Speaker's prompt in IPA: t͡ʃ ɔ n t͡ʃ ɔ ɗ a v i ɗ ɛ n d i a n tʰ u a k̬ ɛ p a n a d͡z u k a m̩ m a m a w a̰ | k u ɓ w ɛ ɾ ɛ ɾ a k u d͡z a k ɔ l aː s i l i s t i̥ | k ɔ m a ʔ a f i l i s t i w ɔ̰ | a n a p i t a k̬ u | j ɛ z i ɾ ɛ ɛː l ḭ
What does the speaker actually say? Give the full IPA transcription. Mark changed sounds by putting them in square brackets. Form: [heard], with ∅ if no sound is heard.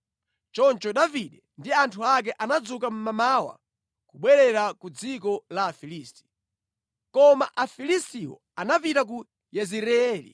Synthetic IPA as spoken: t͡ʃ ɔ n t͡ʃ ɔ ɗ a v i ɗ ɛ n d i a n tʰ u a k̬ ɛ [ʔ] a n a d͡z u k a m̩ m a m a w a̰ | k u ɓ w ɛ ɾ ɛ ɾ a k u d͡z [i] k ɔ l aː [f] i l i s t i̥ | k ɔ m a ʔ a f i l i s t i w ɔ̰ | a n a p i t a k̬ u | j ɛ z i ɾ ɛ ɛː l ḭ